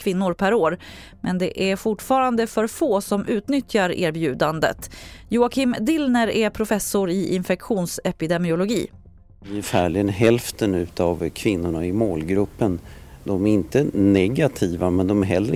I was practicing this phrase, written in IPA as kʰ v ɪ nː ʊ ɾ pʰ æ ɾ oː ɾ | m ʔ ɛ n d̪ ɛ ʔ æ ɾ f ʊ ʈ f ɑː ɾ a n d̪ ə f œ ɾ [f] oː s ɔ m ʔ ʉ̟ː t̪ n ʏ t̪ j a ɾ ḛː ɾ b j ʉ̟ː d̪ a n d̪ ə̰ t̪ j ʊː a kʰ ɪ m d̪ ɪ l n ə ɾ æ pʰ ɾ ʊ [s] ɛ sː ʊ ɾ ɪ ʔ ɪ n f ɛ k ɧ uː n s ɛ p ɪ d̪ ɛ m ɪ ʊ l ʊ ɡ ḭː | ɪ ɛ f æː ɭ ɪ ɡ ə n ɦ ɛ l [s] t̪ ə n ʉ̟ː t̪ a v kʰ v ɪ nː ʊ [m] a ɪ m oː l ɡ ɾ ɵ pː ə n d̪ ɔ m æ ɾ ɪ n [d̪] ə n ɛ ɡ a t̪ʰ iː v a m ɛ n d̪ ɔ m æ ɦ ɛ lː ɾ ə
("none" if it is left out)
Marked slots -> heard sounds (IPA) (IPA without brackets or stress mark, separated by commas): f, f, f, ɳ, t̪